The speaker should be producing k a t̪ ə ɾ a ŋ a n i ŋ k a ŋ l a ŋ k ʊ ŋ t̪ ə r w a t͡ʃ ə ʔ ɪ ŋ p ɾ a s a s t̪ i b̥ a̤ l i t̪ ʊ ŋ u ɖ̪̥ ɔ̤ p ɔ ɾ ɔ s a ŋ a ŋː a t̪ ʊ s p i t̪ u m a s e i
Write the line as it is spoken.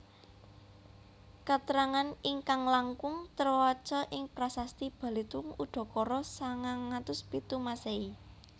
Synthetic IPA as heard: k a t̪ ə ɾ a ŋ a n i ŋ k a ŋ l a ŋ k ʊ ŋ t̪ ə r w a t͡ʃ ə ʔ ɪ ŋ p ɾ a s a s t̪ i b̥ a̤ l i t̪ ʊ ŋ u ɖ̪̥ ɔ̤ k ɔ ɾ ɔ s a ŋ a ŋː a t̪ ʊ s p i t̪ u m a s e i